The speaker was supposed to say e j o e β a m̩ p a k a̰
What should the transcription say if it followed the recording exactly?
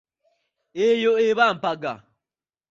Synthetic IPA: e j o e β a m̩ p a ɡ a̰